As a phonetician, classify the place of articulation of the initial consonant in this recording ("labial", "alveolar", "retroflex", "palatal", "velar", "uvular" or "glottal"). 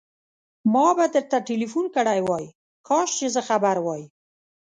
labial